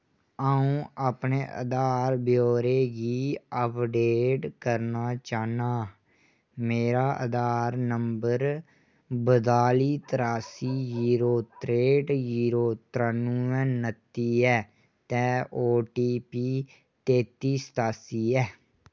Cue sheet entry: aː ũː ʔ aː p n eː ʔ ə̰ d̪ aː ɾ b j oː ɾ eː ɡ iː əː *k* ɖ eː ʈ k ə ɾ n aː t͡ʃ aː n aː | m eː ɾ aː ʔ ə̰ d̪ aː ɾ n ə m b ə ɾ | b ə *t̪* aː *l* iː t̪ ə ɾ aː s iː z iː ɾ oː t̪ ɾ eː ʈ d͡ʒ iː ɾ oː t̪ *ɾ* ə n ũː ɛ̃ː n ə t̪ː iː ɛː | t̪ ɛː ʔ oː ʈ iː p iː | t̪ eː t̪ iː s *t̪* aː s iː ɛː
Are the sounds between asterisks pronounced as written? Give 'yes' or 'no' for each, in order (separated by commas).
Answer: no, no, yes, yes, yes